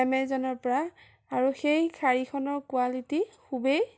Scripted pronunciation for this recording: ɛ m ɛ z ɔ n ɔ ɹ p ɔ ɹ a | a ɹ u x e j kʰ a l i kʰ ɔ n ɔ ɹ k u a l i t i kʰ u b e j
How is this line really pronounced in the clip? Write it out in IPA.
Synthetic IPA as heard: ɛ m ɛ z ɔ n ɔ ɹ p ɔ ɹ a | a ɹ u x e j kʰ a ɹ i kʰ ɔ n ɔ ɹ k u a l i t i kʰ u b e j